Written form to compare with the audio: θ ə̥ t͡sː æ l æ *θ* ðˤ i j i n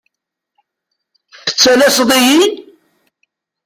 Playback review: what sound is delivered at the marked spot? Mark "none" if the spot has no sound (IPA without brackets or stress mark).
s